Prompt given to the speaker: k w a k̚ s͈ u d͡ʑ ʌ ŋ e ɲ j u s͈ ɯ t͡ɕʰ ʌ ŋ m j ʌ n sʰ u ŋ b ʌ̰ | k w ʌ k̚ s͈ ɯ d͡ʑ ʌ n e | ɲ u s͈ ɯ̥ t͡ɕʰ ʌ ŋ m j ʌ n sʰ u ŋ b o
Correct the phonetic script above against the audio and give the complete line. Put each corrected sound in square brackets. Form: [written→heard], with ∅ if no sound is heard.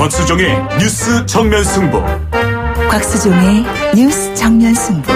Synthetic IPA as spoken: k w a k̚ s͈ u d͡ʑ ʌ ŋ e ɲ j u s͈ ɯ t͡ɕʰ ʌ ŋ m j ʌ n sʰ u ŋ b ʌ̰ | k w [ʌ→a] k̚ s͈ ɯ d͡ʑ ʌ [n→ŋ] e | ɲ u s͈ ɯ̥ t͡ɕʰ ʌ ŋ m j ʌ n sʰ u ŋ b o